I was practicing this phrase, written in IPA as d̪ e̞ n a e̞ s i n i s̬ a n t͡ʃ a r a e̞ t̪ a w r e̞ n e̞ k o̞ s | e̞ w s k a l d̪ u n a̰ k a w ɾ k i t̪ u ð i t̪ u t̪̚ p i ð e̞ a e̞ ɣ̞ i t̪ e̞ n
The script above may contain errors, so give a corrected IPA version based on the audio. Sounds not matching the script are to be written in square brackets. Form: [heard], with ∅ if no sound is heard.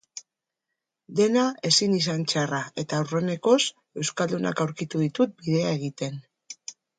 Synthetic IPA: d̪ e̞ n a e̞ s i n i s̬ a n t͡ʃ a r a e̞ t̪ a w r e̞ n e̞ k o̞ s | e̞ w s k a l d̪ u n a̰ k a w ɾ k i t̪ u ð i t̪ u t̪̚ [b] i ð e̞ a e̞ ɣ̞ i t̪ e̞ n